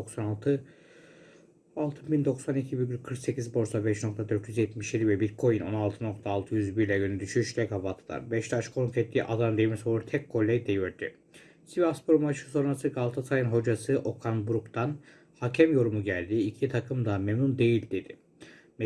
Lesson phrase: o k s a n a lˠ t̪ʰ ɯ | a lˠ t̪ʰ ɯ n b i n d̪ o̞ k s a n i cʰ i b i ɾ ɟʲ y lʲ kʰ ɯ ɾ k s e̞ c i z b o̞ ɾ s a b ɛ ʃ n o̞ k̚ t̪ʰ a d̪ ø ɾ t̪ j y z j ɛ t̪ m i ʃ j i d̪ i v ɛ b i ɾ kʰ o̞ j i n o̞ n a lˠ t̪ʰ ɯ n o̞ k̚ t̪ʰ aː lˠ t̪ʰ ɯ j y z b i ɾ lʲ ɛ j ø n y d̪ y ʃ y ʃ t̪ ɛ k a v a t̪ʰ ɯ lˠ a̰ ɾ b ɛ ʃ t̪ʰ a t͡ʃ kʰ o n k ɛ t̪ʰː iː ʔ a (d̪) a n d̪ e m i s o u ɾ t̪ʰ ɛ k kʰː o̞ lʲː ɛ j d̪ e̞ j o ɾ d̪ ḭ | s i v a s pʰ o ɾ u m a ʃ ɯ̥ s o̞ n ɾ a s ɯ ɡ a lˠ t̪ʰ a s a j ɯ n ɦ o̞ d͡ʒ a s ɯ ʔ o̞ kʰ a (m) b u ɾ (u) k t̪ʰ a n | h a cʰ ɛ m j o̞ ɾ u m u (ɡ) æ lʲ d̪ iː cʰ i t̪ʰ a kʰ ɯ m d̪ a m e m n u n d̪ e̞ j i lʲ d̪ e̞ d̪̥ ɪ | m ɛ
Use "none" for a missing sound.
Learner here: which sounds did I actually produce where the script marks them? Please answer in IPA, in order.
d̪, n, u, ɟ

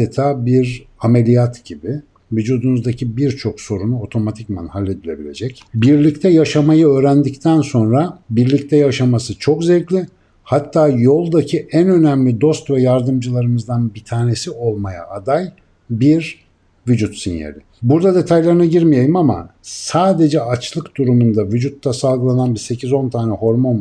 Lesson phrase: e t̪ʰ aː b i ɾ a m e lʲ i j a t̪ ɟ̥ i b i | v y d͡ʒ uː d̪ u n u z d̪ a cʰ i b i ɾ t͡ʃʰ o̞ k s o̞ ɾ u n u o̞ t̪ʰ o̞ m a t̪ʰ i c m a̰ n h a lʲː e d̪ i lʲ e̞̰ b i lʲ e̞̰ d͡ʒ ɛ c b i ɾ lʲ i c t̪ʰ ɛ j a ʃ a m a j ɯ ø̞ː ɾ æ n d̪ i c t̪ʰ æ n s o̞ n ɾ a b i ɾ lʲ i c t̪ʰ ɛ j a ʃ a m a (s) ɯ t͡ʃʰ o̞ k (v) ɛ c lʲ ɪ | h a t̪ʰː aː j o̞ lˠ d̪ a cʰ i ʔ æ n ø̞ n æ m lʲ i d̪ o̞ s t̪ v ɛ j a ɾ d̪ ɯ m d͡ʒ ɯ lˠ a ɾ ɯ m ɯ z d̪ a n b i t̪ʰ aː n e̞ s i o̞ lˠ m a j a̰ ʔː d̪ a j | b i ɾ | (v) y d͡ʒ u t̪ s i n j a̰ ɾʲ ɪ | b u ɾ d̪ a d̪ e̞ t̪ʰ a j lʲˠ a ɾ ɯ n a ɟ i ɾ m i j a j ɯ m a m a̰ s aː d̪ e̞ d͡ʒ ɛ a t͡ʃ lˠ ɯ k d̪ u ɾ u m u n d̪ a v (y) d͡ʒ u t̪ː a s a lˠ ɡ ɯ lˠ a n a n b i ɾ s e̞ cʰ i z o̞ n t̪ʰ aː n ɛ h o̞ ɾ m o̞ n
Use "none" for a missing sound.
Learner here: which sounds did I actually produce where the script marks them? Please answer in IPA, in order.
s, z, v, y

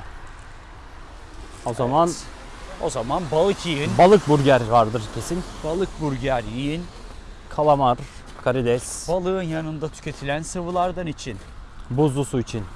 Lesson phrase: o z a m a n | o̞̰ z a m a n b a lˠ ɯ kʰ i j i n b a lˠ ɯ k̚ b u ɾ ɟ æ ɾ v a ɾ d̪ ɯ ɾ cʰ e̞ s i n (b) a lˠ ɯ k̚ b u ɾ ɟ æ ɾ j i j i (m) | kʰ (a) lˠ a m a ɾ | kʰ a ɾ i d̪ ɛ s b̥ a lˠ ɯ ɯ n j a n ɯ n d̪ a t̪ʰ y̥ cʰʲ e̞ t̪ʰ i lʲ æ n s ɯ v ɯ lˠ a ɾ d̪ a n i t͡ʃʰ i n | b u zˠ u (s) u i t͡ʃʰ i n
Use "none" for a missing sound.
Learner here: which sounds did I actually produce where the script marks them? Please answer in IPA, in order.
b, n, a, s

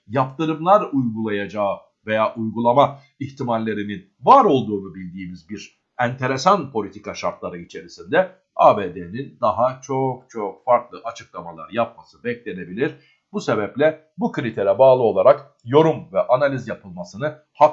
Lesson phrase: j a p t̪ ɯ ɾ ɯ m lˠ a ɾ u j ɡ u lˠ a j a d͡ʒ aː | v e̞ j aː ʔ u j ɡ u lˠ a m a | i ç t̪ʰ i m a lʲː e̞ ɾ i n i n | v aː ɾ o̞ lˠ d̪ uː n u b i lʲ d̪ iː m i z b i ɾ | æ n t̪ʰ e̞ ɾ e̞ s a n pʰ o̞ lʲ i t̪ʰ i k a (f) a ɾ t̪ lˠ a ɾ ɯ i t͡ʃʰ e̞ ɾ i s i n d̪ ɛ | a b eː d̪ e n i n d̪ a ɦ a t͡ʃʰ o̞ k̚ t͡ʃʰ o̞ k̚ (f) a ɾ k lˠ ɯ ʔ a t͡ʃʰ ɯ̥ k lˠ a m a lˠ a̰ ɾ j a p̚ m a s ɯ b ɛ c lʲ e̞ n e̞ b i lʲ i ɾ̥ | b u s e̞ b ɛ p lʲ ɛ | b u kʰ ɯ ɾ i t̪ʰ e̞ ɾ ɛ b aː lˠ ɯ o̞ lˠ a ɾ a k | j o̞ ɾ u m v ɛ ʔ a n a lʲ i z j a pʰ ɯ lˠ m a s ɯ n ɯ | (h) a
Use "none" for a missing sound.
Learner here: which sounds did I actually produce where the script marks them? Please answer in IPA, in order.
ʃ, f, h

